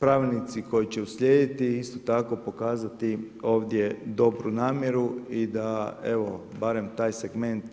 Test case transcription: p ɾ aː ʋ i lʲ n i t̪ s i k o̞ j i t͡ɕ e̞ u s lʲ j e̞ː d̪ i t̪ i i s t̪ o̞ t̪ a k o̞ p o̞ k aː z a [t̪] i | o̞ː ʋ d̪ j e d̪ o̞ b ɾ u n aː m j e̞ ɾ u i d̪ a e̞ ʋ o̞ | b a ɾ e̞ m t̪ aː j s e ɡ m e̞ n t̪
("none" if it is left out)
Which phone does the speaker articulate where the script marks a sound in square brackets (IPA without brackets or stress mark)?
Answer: t̪